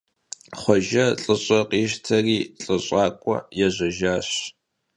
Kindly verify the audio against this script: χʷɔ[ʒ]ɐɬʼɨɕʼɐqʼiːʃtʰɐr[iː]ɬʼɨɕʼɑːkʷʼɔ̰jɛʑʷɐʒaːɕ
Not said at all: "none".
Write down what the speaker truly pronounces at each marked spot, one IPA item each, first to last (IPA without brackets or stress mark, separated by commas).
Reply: ʒ, iː